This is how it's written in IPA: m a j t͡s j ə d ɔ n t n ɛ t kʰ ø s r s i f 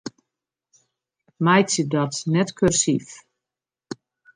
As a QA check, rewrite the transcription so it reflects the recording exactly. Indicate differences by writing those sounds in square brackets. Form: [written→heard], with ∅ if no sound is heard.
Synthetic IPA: m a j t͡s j ə d ɔ [n→∅] t n ɛ t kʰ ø [s→∅] r s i f